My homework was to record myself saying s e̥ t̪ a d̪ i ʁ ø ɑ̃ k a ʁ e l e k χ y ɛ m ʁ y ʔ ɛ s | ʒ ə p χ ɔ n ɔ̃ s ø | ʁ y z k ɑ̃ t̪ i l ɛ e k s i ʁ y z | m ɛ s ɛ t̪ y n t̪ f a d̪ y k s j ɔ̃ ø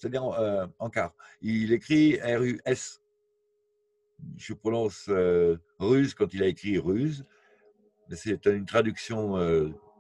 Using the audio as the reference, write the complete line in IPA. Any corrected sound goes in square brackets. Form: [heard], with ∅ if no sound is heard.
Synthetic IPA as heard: s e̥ t̪ a d̪ i ʁ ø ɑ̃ k a ʁ [i] l e k χ [i] ɛ [∅] ʁ y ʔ ɛ s | ʒ ə p χ ɔ n ɔ̃ s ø | ʁ y z k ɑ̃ t̪ i l [a] e k [χ] i ʁ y z | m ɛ s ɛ t̪ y n t̪ [χ] a d̪ y k s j ɔ̃ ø